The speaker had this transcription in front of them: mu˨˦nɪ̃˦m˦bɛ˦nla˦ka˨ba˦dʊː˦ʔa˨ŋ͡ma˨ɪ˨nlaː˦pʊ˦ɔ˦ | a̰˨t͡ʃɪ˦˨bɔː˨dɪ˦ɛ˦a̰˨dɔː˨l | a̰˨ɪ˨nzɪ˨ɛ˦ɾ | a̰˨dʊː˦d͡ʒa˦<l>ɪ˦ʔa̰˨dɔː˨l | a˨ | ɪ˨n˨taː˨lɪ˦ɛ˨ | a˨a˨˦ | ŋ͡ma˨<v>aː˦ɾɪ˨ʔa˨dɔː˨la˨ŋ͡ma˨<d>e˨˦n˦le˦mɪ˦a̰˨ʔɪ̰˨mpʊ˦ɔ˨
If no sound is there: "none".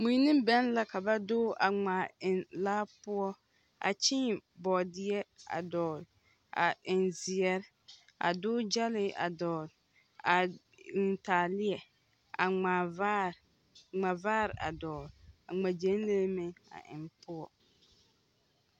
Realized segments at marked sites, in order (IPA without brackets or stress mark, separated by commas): l, v, d͡ʒ